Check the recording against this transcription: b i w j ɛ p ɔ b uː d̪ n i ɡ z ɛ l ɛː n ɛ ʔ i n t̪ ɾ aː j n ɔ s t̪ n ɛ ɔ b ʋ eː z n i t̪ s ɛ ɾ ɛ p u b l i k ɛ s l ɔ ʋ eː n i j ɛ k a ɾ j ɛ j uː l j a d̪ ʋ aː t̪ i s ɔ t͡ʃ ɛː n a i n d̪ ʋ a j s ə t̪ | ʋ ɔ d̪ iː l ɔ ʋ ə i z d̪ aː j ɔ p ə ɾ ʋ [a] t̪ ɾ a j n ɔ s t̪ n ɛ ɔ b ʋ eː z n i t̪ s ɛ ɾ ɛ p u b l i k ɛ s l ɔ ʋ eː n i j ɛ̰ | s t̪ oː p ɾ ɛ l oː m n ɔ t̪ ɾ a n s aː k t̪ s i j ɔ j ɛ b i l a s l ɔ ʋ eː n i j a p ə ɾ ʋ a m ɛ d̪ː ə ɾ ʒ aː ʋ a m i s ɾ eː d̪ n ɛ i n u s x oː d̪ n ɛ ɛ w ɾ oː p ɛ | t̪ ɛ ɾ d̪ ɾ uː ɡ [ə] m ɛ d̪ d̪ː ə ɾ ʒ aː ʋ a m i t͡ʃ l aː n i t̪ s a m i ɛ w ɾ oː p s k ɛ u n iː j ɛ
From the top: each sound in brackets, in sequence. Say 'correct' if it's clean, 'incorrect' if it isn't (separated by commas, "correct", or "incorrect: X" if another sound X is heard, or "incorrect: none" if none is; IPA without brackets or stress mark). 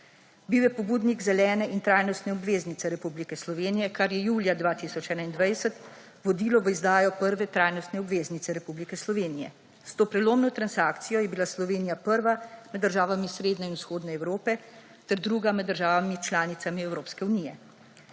incorrect: ɛ, incorrect: a